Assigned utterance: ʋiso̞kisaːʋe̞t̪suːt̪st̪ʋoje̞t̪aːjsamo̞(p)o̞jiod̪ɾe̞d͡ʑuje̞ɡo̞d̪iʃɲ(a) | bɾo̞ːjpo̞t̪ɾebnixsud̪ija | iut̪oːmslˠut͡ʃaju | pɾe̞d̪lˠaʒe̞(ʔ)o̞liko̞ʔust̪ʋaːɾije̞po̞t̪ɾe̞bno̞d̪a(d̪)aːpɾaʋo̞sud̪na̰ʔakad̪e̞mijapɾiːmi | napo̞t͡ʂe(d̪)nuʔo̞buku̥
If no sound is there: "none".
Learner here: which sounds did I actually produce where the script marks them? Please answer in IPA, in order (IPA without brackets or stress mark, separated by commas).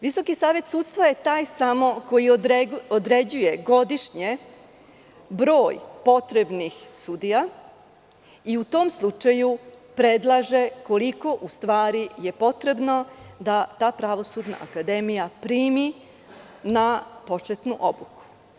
k, e, k, t̪, t̪